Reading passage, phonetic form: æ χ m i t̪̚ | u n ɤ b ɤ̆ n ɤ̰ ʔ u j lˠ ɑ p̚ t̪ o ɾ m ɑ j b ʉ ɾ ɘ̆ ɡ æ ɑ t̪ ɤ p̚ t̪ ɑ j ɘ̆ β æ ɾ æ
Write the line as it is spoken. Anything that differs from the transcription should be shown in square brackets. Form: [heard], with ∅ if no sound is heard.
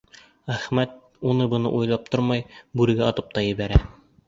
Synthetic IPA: æ χ m [æ] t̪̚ | u n ɤ b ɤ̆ n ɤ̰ ʔ u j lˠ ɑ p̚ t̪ o ɾ m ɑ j b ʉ ɾ ɘ̆ ɡ æ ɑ t̪ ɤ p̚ t̪ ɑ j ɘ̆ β æ ɾ æ